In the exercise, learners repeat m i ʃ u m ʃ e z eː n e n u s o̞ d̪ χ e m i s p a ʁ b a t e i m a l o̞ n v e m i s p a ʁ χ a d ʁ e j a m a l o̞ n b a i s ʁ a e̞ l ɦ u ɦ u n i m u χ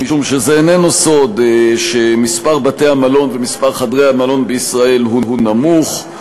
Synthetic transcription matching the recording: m i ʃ u m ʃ e z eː n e n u s o̞ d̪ ʃ e m i s p a ʁ b a t e a m a l o̞ n v e m i s p a ʁ χ a d ʁ e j a m a l o̞ n b e i s ʁ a e̞ l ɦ u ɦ u n a m u χ